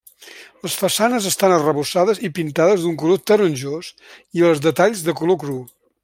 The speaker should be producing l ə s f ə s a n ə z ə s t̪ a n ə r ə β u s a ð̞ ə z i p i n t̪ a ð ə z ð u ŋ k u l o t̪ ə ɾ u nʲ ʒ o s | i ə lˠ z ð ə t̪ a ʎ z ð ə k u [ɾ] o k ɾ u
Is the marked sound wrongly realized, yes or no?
yes